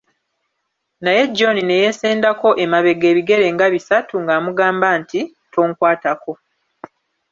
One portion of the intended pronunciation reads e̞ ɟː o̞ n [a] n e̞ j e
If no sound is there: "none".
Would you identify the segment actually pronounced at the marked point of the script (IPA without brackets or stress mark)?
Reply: i